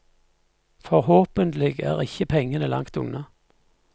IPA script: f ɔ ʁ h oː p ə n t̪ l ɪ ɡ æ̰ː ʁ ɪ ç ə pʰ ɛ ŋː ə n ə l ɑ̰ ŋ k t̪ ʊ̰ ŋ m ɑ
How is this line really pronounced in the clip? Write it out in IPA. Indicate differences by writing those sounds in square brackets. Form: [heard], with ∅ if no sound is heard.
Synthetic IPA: f ɔ ʁ h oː p ə n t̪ l ɪ ɡ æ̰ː ʁ ɪ ç ə pʰ ɛ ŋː ə n ə l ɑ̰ ŋ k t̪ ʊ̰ ŋ [n] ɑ

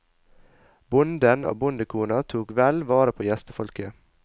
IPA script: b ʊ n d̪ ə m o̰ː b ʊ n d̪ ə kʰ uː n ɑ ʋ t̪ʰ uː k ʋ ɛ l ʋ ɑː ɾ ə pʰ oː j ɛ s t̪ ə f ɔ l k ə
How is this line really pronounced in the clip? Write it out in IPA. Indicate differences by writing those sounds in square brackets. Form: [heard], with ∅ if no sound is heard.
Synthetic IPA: b ʊ n d̪ ə [n] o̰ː b ʊ n d̪ ə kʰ uː n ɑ [∅] t̪ʰ uː k ʋ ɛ l ʋ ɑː ɾ ə pʰ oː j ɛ s t̪ ə f ɔ l k ə

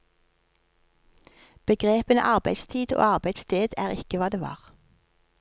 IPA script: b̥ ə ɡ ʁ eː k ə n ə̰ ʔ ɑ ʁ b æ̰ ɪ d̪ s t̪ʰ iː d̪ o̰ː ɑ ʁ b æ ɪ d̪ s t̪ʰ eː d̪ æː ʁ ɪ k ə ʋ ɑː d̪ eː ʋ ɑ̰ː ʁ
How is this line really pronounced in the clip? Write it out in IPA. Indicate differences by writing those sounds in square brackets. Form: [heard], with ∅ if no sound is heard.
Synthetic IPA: b̥ ə ɡ ʁ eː [p] ə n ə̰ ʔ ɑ ʁ b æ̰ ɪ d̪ s t̪ʰ iː d̪ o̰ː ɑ ʁ b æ ɪ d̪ s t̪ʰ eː d̪ æː ʁ ɪ k ə ʋ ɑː d̪ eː ʋ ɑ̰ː ʁ

